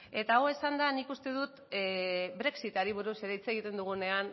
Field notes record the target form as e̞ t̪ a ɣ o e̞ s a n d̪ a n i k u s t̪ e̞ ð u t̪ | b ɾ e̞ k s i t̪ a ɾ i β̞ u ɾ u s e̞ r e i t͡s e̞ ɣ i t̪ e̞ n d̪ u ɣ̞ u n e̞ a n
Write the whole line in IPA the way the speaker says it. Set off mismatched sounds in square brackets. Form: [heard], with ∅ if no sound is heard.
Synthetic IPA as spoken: e̞ t̪ a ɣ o e̞ s a n d̪ a n i k u s t̪ e̞ ð u t̪ | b ɾ e̞ k s i t̪ a ɾ i β̞ u ɾ u s e̞ [ɾ] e i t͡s e̞ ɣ i t̪ e̞ n d̪ u ɣ̞ u n e̞ a n